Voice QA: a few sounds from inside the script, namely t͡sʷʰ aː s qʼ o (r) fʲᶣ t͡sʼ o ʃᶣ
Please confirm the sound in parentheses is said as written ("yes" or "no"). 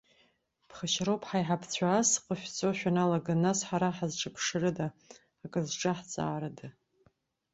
no